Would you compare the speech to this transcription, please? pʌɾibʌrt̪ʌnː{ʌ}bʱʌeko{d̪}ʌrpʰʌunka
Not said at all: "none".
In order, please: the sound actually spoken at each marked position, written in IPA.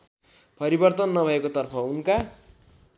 ʌ, t̪

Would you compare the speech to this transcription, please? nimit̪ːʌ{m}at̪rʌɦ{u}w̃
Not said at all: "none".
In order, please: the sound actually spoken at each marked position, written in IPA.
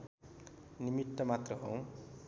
m, o

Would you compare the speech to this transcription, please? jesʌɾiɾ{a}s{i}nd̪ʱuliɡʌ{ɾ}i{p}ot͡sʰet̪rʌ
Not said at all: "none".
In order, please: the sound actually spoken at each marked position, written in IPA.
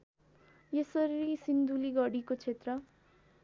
i, i, ɽ, k

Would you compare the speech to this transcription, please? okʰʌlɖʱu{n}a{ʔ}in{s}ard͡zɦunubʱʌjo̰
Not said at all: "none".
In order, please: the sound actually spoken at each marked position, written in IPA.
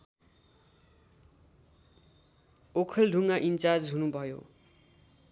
ŋ, ʔ, t͡s

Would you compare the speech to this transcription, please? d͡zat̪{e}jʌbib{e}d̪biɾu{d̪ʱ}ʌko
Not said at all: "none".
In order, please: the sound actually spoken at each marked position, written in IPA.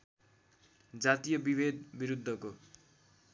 i, e, d̪ʱː

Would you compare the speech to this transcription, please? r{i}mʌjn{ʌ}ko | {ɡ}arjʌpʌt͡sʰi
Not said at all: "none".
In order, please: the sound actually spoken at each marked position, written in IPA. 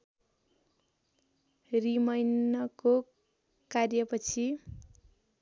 i, ʌ, k

